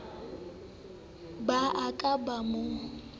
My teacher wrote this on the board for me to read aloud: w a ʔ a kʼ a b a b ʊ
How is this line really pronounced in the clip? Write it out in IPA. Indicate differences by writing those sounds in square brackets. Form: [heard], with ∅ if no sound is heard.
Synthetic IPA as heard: [b] a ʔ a kʼ a b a [m] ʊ